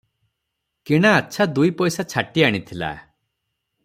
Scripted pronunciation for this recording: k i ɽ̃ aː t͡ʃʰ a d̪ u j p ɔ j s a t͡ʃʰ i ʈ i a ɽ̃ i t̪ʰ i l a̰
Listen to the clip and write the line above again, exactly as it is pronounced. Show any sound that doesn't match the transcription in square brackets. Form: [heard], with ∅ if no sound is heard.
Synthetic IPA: k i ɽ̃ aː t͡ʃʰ a d̪ u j p ɔ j s a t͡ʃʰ [a] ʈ i a ɽ̃ i t̪ʰ i l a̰